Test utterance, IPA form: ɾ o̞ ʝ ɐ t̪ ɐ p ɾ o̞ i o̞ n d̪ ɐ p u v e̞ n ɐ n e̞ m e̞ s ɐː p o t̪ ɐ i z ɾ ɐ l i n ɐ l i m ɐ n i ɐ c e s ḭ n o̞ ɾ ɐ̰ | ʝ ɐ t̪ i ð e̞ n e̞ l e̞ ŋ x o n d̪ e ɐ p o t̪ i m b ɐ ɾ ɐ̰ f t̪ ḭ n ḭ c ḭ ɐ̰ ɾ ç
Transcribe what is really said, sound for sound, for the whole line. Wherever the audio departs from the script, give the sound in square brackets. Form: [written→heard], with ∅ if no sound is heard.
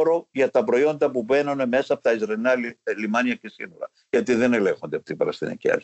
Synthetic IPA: ɾ o̞ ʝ ɐ t̪ ɐ p ɾ o̞ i o̞ n d̪ ɐ p u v e̞ n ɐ n e̞ m e̞ s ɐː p o t̪ ɐ i z ɾ ɐ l i n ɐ l i m ɐ n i ɐ c e s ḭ n o̞ ɾ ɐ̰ | ʝ ɐ t̪ i ð e̞ n e̞ l e̞ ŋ x o n d̪ e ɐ p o t̪ i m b ɐ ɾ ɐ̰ [f→s] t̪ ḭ n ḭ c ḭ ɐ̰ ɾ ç